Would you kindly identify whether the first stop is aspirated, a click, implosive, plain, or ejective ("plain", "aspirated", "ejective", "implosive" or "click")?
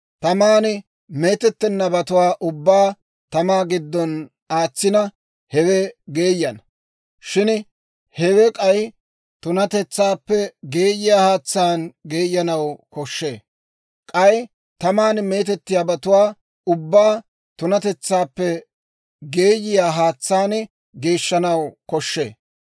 plain